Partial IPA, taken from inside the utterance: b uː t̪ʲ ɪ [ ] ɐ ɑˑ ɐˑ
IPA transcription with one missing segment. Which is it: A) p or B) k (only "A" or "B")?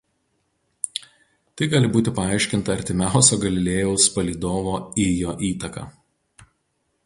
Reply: A